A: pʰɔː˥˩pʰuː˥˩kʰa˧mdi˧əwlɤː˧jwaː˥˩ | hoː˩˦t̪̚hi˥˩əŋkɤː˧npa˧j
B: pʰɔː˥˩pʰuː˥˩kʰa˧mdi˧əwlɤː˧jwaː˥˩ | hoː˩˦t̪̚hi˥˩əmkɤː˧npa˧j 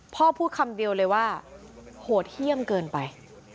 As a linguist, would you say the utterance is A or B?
B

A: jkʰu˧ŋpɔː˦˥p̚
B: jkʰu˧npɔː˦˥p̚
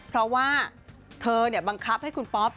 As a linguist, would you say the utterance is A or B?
B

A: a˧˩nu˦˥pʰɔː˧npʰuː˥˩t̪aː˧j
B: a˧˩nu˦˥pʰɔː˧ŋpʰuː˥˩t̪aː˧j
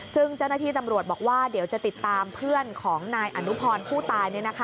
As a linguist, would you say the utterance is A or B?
A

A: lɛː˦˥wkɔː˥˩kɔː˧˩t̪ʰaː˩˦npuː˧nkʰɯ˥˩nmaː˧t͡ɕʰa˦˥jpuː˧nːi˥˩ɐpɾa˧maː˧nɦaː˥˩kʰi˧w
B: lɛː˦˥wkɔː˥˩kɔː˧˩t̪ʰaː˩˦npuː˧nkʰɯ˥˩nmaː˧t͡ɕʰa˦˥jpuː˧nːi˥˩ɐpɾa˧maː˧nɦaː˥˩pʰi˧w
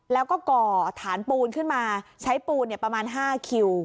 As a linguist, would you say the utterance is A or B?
A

